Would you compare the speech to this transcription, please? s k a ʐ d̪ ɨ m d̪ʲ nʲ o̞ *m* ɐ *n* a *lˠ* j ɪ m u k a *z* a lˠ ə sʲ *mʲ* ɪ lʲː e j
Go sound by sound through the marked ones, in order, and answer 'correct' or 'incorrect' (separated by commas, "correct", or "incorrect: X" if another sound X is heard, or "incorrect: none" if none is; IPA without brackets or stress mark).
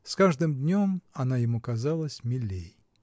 correct, correct, incorrect: none, correct, correct